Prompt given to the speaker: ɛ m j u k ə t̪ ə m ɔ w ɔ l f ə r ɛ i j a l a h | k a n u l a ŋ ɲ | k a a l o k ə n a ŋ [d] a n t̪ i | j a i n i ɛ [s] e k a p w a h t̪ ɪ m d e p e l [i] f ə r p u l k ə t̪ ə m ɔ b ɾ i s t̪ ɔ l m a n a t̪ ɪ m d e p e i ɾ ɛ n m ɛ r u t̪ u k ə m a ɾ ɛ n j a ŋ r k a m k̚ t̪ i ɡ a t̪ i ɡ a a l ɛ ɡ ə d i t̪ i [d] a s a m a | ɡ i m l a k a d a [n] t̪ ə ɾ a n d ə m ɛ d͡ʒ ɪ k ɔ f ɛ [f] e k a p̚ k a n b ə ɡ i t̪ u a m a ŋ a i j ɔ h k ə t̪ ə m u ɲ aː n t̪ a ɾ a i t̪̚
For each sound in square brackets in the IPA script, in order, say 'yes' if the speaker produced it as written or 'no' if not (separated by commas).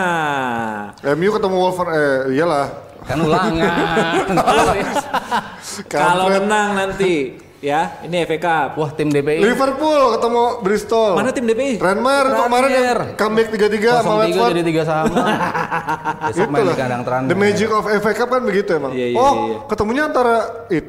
no, no, yes, no, no, yes